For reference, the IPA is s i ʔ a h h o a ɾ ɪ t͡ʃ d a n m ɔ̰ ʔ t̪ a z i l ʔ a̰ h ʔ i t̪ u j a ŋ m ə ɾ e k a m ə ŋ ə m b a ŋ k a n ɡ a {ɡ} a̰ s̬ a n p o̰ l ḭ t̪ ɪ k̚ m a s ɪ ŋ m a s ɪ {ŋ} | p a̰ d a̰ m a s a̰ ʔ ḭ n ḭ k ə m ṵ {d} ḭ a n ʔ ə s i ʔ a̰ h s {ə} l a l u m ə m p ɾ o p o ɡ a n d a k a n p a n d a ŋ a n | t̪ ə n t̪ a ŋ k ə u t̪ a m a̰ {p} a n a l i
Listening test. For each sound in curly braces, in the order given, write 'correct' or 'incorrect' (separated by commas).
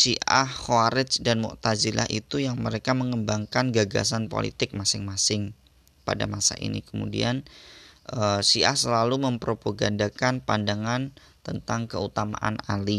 correct, correct, correct, correct, incorrect